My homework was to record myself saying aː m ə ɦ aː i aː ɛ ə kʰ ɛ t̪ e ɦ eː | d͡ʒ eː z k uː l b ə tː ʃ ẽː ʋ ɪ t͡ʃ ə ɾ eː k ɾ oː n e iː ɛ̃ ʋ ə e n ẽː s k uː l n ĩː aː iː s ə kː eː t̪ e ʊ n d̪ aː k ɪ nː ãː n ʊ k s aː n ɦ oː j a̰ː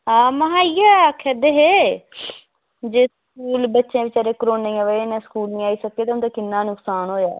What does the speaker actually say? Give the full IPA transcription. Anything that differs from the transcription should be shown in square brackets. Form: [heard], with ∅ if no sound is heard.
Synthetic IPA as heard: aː m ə ɦ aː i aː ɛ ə kʰ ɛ [d̪] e ɦ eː | d͡ʒ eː [s] k uː l b ə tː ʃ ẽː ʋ ɪ t͡ʃ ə ɾ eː k ɾ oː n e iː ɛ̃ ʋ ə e n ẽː s k uː l n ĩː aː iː s ə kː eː t̪ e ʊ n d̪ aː k ɪ nː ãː n ʊ k s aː n ɦ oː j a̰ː

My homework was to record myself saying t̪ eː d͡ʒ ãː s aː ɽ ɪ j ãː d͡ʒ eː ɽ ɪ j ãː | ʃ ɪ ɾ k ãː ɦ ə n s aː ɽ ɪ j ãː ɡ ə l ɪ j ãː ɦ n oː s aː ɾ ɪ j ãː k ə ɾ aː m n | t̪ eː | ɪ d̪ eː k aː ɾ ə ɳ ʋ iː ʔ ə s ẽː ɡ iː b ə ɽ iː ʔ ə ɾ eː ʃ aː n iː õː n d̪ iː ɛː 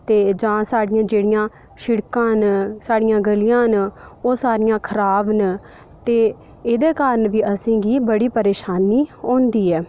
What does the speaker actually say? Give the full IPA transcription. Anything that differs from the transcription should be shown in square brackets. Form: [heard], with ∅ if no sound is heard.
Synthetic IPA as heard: t̪ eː d͡ʒ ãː s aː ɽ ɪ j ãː d͡ʒ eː ɽ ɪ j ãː | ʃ ɪ [ɽ] k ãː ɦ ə n s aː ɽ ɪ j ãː ɡ ə l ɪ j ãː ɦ n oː s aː ɾ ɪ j ãː [kʰ] ə ɾ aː [b] n | t̪ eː | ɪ d̪ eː k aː ɾ ə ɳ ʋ iː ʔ ə s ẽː ɡ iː b ə ɽ iː [p] ə ɾ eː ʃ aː n iː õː n d̪ iː ɛː

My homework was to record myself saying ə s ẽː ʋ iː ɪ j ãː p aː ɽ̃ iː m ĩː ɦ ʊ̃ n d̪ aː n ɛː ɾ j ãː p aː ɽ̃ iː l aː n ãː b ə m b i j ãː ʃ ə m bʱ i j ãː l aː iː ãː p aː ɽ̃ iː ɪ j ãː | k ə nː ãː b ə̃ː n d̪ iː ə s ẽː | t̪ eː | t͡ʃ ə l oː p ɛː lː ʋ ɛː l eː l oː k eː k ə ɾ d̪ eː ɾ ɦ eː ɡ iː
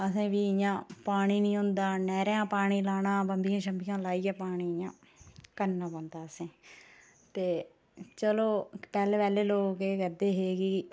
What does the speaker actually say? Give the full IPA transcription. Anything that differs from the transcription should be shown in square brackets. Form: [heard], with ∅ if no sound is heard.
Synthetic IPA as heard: ə s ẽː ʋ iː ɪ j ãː p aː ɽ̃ iː [n] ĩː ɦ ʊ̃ n d̪ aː n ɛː ɾ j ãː p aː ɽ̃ iː l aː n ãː b ə m b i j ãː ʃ ə m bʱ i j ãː l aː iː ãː p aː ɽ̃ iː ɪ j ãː | k ə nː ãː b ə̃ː n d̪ [aː] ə s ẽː | t̪ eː | t͡ʃ ə l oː p ɛː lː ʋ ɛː l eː l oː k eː k ə ɾ d̪ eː [∅] ɦ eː ɡ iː

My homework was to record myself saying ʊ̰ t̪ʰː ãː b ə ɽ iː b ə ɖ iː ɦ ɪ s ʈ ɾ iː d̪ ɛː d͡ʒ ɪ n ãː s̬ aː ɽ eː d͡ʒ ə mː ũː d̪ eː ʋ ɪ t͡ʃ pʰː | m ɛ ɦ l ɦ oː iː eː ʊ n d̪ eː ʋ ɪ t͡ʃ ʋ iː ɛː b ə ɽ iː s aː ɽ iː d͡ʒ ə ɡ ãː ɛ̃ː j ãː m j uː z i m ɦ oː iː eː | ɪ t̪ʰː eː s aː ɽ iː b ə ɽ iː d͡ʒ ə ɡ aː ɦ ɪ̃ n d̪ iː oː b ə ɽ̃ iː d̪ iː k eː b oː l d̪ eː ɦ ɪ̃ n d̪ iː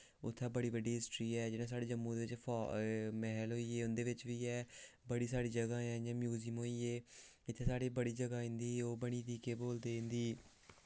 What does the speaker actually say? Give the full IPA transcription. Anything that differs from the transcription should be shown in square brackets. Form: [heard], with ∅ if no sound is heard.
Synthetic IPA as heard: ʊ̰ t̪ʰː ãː b ə ɽ iː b ə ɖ iː ɦ ɪ s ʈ ɾ iː [∅] ɛː d͡ʒ ɪ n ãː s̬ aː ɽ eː d͡ʒ ə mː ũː d̪ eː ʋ ɪ t͡ʃ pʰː | m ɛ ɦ l ɦ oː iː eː ʊ n d̪ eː ʋ ɪ t͡ʃ ʋ iː ɛː b ə ɽ iː s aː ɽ iː d͡ʒ ə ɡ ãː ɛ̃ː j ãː m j uː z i m ɦ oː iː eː | ɪ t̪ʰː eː s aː ɽ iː b ə ɽ iː d͡ʒ ə ɡ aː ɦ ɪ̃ n d̪ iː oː b ə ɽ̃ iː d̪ iː k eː b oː l d̪ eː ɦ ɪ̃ n d̪ iː

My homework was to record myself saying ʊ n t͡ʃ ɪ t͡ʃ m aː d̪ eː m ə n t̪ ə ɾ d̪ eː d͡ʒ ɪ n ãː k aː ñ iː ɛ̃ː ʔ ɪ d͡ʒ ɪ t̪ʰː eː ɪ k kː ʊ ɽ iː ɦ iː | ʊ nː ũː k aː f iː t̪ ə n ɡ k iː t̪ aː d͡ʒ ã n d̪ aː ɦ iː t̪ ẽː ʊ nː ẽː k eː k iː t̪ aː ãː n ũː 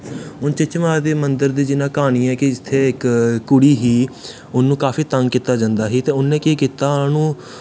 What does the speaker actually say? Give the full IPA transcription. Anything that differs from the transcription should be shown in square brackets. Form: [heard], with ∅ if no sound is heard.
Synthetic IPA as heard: ʊ n t͡ʃ ɪ t͡ʃ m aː d̪ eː m ə n [d̪] ə ɾ d̪ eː d͡ʒ ɪ n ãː k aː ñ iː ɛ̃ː [k] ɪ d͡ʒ ɪ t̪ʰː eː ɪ k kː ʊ ɽ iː ɦ iː | ʊ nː ũː k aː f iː t̪ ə [ŋ] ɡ k iː t̪ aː d͡ʒ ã n d̪ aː ɦ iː t̪ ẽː ʊ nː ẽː k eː k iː t̪ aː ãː n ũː

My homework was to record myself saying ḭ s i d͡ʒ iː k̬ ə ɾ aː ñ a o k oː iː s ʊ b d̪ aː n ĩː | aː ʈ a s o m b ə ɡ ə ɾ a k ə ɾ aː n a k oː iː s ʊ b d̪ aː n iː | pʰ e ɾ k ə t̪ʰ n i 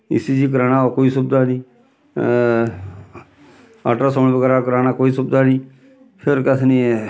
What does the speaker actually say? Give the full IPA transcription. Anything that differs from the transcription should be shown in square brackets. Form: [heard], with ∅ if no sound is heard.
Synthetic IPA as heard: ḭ s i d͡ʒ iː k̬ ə ɾ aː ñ a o k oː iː s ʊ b d̪ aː n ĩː | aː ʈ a s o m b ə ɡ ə ɾ a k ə ɾ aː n a k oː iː s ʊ b d̪ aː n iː | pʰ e ɾ k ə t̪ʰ n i

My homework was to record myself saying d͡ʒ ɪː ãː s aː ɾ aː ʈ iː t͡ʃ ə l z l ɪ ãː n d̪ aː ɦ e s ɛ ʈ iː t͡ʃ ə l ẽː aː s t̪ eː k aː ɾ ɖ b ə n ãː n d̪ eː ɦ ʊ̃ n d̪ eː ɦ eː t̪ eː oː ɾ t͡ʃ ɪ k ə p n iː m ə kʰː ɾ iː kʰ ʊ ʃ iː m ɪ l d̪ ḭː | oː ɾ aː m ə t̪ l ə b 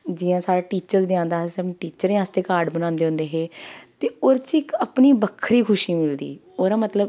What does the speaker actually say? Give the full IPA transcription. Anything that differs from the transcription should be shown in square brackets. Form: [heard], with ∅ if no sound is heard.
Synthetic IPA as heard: d͡ʒ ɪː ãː s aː ɾ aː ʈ iː t͡ʃ ə [ɾ] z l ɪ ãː n d̪ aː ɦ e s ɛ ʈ iː t͡ʃ ə [ɾ] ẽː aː s t̪ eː k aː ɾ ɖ b ə n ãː n d̪ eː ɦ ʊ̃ n d̪ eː ɦ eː t̪ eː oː ɾ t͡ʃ ɪ k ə p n iː [b] ə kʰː ɾ iː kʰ ʊ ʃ iː m ɪ l d̪ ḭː | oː ɾ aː m ə t̪ l ə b

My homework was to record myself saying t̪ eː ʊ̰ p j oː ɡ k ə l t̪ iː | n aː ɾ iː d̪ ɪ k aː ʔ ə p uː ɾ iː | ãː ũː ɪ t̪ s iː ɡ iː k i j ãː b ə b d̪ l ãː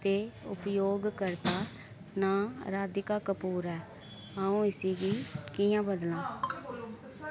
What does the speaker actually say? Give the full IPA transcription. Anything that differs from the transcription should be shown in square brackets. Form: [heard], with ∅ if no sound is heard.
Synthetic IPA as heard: t̪ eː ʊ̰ p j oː ɡ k ə [ɾ] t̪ [aː] | n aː ɾ [aː] d̪ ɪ k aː [k] ə p uː ɾ [ɛː] | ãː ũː ɪ [∅] s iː ɡ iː k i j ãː b ə [∅] d̪ l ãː

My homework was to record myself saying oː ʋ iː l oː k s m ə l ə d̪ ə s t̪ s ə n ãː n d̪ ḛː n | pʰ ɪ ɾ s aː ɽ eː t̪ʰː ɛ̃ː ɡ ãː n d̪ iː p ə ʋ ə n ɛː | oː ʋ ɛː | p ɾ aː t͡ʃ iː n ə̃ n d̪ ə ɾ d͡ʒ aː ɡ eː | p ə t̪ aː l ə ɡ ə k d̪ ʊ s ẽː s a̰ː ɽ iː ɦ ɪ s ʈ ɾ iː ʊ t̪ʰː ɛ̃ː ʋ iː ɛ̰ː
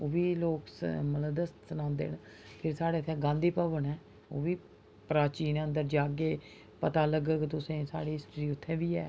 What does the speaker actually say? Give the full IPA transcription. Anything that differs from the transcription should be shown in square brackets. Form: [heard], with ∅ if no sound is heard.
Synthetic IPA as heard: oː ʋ iː l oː k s m ə l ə d̪ ə s t̪ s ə n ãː n d̪ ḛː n | pʰ ɪ ɾ s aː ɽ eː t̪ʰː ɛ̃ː ɡ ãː n d̪ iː p ə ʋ ə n ɛː | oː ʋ [iː] | p ɾ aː t͡ʃ iː n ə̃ n d̪ ə ɾ d͡ʒ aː ɡ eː | p ə t̪ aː l ə ɡ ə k [t̪] ʊ s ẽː s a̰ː ɽ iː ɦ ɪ s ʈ ɾ iː ʊ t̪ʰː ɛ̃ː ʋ iː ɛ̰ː

